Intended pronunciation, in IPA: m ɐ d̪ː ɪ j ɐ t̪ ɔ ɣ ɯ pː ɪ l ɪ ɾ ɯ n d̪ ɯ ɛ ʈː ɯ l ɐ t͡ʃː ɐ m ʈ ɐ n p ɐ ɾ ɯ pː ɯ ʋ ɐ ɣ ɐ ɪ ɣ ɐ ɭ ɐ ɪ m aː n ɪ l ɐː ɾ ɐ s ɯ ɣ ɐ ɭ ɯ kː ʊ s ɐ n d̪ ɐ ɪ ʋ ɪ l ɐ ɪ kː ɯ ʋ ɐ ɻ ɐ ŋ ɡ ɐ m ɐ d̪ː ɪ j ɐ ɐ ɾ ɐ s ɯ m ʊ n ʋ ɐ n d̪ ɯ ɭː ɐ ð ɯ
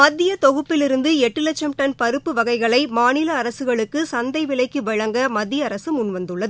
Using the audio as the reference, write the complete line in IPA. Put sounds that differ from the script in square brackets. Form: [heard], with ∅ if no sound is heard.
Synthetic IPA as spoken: m ɐ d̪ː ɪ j ɐ t̪ ɔ ɣ ɯ pː ɪ l ɪ ɾ ɯ n d̪ ɯ ɛ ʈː ɯ l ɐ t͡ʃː ɐ m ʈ ɐ n p ɐ ɾ ɯ pː ɯ ʋ ɐ ɣ ɐ ɪ ɣ ɐ ɭ ɐ ɪ m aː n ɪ l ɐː ɾ ɐ s ɯ ɣ ɐ ɭ ɯ kː [ɯ] s ɐ n d̪ ɐ ɪ ʋ ɪ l ɐ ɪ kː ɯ ʋ ɐ ɻ ɐ ŋ ɡ ɐ m ɐ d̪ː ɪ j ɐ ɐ ɾ ɐ s ɯ m ʊ n ʋ ɐ n d̪ ɯ ɭː ɐ ð ɯ

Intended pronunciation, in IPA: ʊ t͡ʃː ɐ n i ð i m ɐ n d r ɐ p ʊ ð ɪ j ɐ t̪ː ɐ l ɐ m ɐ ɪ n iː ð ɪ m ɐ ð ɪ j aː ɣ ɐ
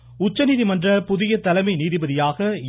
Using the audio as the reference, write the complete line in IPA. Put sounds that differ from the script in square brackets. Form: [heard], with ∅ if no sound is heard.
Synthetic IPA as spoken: ʊ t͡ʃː ɐ n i ð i m ɐ n d r ɐ p ʊ ð ɪ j ɐ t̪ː ɐ l ɐ m ɐ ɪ n iː ð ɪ [b] ɐ ð ɪ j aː ɣ ɐ

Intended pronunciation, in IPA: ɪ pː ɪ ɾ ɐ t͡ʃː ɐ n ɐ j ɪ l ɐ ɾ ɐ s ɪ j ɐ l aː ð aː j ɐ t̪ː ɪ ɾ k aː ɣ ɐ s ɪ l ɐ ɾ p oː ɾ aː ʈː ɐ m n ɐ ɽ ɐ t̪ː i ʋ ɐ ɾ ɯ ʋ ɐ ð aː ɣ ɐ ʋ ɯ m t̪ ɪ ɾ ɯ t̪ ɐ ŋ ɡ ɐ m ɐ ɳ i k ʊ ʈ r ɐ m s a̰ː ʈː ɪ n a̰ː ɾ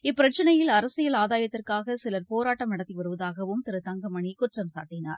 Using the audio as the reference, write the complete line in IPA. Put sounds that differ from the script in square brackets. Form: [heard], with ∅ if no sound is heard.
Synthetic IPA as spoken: ɪ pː ɪ ɾ ɐ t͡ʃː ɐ n ɐ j ɪ l ɐ ɾ ɐ s ɪ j ɐ l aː ð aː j ɐ t̪ː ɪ [r] k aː ɣ ɐ s ɪ l ɐ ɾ p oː ɾ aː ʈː ɐ m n ɐ ɽ ɐ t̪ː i ʋ ɐ ɾ ɯ ʋ ɐ ð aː ɣ ɐ ʋ ɯ m t̪ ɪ ɾ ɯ t̪ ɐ ŋ ɡ ɐ m ɐ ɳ i k ʊ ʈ r ɐ m s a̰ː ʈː ɪ n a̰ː ɾ

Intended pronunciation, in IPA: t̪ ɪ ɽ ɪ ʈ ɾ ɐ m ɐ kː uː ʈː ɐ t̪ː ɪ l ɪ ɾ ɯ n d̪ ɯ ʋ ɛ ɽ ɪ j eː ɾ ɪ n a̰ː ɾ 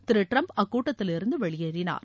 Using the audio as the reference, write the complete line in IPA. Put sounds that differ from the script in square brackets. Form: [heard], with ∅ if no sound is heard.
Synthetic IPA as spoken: t̪ ɪ [ɾ] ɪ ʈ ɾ ɐ m ɐ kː uː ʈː ɐ t̪ː ɪ l ɪ ɾ ɯ n d̪ ɯ ʋ ɛ [ɭ] ɪ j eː ɾ ɪ n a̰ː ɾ

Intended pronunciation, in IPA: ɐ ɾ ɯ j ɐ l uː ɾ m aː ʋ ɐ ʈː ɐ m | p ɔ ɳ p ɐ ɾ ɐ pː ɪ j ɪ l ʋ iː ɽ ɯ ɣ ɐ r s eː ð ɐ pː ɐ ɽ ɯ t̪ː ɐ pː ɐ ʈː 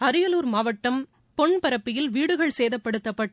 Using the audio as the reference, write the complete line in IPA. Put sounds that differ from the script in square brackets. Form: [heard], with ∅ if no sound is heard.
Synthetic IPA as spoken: ɐ ɾ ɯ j ɐ l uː ɾ m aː ʋ ɐ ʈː ɐ m | p ɔ ɳ p ɐ ɾ ɐ pː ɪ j ɪ l ʋ iː ɽ ɯ ɣ ɐ [ɭ] s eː ð ɐ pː ɐ ɽ ɯ t̪ː ɐ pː ɐ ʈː

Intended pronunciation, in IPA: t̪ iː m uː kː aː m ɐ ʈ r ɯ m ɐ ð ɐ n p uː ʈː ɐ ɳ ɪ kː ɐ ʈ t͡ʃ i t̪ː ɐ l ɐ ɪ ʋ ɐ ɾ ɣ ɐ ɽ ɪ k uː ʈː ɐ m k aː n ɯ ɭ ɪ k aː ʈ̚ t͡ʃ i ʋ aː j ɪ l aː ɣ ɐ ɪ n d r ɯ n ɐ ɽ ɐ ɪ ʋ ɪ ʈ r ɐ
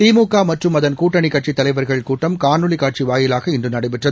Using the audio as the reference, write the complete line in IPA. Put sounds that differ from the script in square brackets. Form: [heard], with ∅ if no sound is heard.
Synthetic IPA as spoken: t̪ iː m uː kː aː m ɐ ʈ r ɯ m ɐ ð ɐ n [k] uː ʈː ɐ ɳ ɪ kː ɐ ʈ t͡ʃ i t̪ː ɐ l ɐ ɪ ʋ ɐ ɾ ɣ ɐ [ɭ] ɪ k uː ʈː ɐ m k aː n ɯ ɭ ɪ k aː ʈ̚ t͡ʃ i ʋ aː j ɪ l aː ɣ ɐ ɪ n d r ɯ n ɐ ɽ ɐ ɪ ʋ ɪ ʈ r ɐ

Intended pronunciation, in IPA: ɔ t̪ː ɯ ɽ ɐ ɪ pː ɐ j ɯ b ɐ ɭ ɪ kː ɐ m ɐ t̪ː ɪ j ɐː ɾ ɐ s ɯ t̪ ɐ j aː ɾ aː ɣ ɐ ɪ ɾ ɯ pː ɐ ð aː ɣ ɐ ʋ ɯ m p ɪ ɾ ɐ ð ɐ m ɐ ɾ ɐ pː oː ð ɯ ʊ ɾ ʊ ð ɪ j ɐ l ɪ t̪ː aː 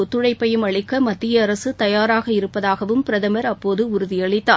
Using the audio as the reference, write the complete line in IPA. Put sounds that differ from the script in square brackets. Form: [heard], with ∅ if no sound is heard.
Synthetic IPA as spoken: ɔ t̪ː ɯ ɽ ɐ ɪ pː ɐ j ɯ [m] ɐ ɭ ɪ kː ɐ m ɐ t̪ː ɪ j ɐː ɾ ɐ s ɯ t̪ ɐ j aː ɾ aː ɣ ɐ ɪ ɾ ɯ pː ɐ ð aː ɣ ɐ ʋ ɯ m p ɪ ɾ ɐ ð ɐ m ɐ ɾ ɐ pː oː ð ɯ ʊ ɾ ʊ ð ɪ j ɐ [ɭ] ɪ t̪ː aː

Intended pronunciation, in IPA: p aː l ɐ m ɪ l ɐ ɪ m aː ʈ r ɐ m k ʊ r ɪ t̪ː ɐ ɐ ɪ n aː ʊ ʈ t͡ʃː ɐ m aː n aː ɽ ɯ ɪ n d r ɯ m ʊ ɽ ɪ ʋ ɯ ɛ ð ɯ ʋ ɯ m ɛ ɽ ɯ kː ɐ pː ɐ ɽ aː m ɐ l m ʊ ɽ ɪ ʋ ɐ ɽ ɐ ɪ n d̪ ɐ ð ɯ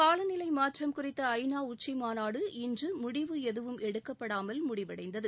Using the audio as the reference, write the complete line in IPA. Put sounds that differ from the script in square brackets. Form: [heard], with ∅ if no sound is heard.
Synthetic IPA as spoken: [k] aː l ɐ [n] ɪ l ɐ ɪ m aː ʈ r ɐ m k ʊ r ɪ t̪ː ɐ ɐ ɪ n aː ʊ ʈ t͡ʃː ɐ m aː n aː ɽ ɯ ɪ n d r ɯ m ʊ ɽ ɪ ʋ ɯ ɛ ð ɯ ʋ ɯ m ɛ ɽ ɯ kː ɐ pː ɐ ɽ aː m ɐ l m ʊ ɽ ɪ ʋ ɐ ɽ ɐ ɪ n d̪ ɐ ð ɯ

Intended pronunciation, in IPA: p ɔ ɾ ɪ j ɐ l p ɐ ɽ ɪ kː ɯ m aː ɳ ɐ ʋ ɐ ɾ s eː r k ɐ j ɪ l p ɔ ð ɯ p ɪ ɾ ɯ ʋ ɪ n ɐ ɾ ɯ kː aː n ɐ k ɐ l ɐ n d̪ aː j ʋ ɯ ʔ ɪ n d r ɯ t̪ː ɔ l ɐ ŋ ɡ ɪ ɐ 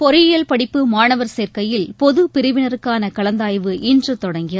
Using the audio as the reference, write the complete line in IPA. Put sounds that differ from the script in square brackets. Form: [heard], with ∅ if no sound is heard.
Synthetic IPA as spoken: p ɔ ɾ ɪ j ɐ l p ɐ ɽ ɪ [pː] ɯ m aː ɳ ɐ ʋ ɐ ɾ s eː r k ɐ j ɪ l p ɔ ð ɯ p ɪ ɾ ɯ ʋ ɪ n ɐ ɾ ɯ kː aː n ɐ k ɐ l ɐ n d̪ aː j ʋ ɯ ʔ ɪ n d r ɯ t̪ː ɔ [ɽ] ɐ ŋ ɡ ɪ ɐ

